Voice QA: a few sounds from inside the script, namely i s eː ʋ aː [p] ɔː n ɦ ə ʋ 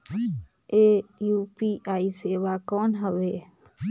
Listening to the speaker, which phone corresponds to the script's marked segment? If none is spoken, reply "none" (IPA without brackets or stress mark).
k